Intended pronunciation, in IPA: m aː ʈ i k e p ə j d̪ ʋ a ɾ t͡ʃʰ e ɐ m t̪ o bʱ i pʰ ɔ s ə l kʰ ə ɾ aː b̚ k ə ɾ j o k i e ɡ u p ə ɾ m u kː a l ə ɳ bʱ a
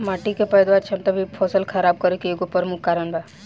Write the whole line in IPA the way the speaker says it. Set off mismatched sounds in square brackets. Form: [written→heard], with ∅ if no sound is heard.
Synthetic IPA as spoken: m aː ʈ i k e p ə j d̪ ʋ a ɾ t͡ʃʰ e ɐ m t̪ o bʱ i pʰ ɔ s ə l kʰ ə ɾ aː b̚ k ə ɾ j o k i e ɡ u p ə ɾ m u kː a [l→ɾ] ə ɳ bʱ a